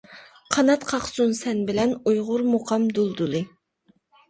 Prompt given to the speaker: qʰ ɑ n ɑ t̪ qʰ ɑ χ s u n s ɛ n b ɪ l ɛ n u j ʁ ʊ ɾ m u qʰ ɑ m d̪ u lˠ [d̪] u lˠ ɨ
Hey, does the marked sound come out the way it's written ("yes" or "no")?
yes